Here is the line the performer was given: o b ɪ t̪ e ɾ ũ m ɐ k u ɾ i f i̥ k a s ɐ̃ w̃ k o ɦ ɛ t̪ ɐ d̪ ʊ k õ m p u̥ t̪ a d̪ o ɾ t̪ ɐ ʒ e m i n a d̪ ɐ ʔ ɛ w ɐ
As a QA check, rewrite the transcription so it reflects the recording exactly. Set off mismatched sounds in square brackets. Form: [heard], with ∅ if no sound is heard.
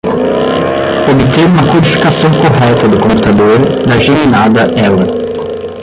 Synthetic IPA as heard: o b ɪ t̪ e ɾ ũ m ɐ k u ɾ i f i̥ k a s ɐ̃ w̃ k o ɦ ɛ t̪ ɐ d̪ ʊ k õ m p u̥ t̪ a d̪ o ɾ [d̪] ɐ ʒ e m i n a d̪ ɐ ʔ ɛ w ɐ